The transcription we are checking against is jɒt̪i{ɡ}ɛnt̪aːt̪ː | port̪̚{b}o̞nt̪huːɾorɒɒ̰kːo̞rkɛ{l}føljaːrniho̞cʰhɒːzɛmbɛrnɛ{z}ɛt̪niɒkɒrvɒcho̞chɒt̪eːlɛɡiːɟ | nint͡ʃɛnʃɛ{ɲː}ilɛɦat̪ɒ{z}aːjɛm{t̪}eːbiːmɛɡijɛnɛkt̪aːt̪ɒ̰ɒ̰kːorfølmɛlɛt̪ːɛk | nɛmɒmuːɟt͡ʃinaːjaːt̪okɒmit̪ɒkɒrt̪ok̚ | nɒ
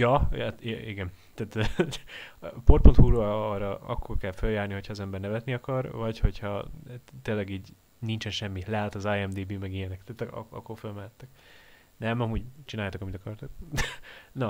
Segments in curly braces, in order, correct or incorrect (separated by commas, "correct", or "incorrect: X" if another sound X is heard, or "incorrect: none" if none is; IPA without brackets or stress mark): correct, incorrect: p, correct, incorrect: v, incorrect: mː, correct, incorrect: d̪